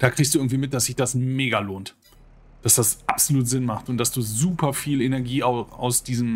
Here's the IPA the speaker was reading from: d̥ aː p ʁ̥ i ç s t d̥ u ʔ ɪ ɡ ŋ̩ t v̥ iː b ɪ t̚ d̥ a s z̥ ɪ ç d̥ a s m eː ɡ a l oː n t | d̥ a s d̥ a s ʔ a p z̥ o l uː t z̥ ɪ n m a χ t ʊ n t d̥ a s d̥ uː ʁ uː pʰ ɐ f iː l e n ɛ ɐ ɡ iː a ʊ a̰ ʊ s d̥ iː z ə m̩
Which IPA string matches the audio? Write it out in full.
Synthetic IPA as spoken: d̥ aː k ʁ̥ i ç s t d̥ u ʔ ɪ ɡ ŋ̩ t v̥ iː m ɪ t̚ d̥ a s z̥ ɪ ç d̥ a s m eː ɡ a l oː n t | d̥ a s d̥ a s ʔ a p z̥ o l uː t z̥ ɪ n m a χ t ʊ n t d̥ a s d̥ uː z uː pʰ ɐ f iː l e n ɛ ɐ ɡ iː a ʊ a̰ ʊ s d̥ iː z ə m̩